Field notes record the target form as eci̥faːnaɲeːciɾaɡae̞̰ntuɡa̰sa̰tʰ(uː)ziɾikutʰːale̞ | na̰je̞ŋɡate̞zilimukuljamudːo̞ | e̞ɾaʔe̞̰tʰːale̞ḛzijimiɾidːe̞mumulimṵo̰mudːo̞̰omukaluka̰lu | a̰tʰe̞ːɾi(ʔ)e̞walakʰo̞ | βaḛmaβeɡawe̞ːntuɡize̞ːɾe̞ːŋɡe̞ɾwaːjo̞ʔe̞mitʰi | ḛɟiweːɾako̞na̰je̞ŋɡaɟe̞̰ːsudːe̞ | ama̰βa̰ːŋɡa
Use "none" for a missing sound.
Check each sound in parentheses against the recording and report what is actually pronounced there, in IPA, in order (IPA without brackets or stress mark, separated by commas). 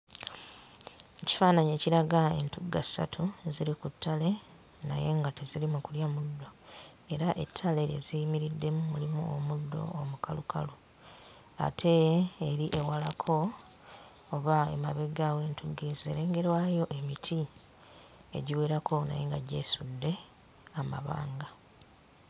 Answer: u, ʔ